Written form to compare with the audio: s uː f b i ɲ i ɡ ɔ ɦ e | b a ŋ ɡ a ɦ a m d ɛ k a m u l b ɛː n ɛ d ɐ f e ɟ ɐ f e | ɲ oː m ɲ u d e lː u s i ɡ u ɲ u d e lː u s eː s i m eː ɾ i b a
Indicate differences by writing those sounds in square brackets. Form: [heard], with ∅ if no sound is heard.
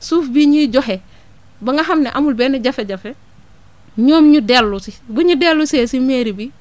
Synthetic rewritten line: s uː f b i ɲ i [ɟ] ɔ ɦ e | b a ŋ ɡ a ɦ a m [n] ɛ [ʔ] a m u l b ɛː n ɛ [ɟ] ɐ f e ɟ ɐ f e | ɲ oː m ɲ u d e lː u s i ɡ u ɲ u d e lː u s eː s i m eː ɾ i b [i]